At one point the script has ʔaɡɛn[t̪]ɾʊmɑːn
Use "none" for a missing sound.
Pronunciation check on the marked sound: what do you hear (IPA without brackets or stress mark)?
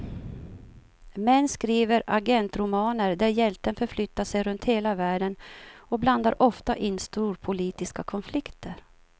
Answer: t̪